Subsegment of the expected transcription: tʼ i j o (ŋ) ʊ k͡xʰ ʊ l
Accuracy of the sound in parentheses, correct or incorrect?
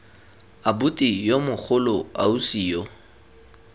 incorrect